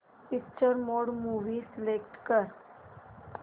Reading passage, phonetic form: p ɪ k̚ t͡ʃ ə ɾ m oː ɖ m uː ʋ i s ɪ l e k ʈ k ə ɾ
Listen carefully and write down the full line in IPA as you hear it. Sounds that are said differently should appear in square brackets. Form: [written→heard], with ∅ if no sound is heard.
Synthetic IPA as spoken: p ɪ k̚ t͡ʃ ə ɾ m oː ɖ m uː ʋ i s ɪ l e k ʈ k ə ɾ